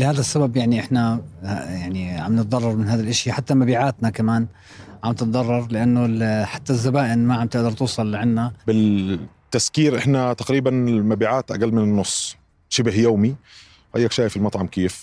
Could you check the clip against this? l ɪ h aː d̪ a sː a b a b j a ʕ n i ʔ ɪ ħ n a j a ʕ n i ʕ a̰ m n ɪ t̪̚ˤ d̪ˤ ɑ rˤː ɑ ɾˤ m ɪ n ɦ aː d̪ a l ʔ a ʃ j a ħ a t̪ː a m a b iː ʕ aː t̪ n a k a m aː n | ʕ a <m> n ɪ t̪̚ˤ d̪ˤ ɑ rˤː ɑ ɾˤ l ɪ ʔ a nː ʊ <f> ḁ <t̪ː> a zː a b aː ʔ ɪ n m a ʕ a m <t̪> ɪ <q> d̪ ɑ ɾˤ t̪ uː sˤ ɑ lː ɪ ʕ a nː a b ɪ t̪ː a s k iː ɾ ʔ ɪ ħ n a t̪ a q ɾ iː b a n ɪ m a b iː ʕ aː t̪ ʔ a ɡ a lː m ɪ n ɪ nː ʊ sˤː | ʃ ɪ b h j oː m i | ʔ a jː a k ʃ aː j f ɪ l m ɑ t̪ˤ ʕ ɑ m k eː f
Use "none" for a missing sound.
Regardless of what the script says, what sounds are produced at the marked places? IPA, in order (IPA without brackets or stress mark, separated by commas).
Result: m, ħ, t̪ː, t̪, ʔ